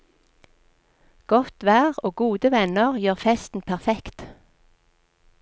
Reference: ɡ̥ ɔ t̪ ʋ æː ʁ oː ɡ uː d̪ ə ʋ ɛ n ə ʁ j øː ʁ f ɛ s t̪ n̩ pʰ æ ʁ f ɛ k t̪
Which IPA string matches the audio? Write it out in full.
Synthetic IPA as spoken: ɡ̥ ɔ t̪ ʋ æː ʁ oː ɡ uː d̪ ə ʋ ɛ n ə ʁ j øː ʁ f ɛ s t̪ n̩ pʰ æ ʁ f ɛ k t̪